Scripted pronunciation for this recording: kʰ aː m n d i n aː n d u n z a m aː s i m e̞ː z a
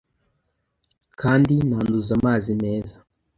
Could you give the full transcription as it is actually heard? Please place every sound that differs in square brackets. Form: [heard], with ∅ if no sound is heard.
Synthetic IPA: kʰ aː [∅] n d i n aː n d u [∅] z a m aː [z] i m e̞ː z a